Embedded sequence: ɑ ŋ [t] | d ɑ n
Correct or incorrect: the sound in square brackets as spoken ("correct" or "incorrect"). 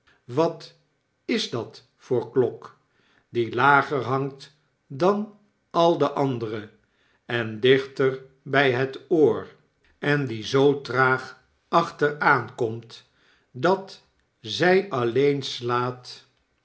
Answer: correct